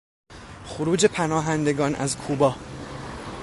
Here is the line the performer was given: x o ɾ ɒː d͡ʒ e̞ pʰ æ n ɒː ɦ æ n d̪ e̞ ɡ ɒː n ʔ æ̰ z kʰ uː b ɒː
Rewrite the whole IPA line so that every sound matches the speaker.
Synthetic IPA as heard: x o ɾ uː d͡ʒ e̞ pʰ æ n ɒː ɦ æ n d̪ e̞ ɡ ɒː n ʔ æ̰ z kʰ uː b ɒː